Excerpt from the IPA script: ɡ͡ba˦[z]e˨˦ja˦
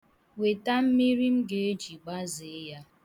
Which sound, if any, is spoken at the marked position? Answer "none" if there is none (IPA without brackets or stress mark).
z